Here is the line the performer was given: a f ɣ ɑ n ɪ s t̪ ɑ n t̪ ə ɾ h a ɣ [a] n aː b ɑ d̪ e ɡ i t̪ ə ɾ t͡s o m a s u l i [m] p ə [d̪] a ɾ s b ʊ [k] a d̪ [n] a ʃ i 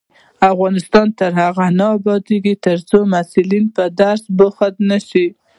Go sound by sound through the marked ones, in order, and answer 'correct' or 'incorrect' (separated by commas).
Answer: correct, incorrect, correct, incorrect, correct